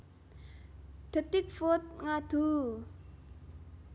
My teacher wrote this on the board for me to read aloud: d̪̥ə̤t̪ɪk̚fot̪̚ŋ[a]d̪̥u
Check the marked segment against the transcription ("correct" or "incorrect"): correct